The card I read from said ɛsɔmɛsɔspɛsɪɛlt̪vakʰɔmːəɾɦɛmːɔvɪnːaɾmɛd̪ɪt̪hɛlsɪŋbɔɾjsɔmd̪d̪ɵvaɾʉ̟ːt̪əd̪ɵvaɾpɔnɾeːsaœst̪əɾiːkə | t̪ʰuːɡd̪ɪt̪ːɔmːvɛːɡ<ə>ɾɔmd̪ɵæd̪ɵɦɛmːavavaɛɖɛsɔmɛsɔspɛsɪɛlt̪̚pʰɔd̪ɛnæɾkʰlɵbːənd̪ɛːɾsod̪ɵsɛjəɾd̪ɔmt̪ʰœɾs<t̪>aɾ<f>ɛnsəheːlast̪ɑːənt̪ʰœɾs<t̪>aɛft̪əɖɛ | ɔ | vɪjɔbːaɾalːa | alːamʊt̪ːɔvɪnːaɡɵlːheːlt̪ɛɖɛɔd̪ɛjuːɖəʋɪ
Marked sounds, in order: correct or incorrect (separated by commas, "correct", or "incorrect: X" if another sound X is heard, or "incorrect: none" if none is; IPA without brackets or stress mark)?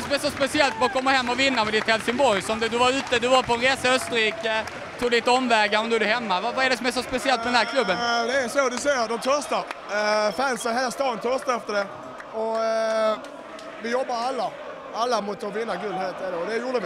incorrect: a, correct, correct, correct